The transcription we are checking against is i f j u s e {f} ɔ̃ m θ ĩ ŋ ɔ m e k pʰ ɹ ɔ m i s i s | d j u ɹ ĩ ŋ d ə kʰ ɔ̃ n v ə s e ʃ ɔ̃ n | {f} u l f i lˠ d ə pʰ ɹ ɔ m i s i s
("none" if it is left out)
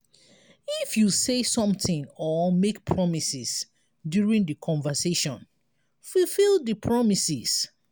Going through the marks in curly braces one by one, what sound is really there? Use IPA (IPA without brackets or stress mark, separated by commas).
s, f